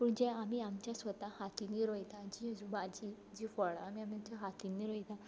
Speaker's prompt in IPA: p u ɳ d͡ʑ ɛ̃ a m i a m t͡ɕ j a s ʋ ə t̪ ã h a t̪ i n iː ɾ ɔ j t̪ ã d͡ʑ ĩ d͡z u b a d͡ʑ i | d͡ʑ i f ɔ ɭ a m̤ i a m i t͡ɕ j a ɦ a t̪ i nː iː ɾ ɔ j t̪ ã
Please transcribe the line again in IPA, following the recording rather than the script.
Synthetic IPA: p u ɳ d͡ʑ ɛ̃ a m i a m t͡ɕ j a s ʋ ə t̪ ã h a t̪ i n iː ɾ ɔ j t̪ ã d͡ʑ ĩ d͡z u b a d͡ʑ i | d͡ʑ i f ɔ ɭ a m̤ i a m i t͡ɕ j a ɦ a t̪ i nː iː ɾ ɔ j t̪ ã